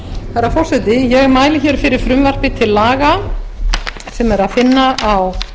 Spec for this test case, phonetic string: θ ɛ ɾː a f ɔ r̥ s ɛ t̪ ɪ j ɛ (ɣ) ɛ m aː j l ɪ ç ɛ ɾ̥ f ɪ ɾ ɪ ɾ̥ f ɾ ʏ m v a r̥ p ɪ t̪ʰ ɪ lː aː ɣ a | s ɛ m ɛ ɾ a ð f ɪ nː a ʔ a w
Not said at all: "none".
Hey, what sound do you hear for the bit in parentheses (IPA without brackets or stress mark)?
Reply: ɣ